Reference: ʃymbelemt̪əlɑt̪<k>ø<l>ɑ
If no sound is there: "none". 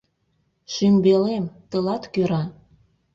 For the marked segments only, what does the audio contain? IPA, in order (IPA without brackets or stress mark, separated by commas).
k, ɾ